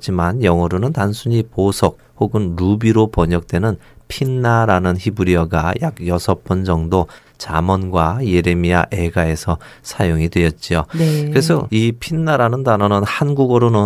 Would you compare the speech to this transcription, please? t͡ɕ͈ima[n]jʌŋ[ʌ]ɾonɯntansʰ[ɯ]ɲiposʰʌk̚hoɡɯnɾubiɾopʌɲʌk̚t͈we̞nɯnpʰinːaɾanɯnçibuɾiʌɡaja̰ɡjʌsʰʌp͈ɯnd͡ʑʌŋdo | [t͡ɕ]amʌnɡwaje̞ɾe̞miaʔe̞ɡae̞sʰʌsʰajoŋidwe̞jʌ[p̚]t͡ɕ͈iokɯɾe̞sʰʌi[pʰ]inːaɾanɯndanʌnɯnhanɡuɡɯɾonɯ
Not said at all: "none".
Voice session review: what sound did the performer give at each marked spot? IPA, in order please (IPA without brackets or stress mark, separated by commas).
n, ʌ, u, t͡ɕ, t̚, pʰ